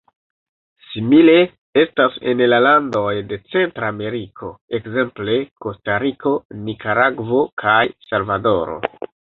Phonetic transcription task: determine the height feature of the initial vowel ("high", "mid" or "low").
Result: high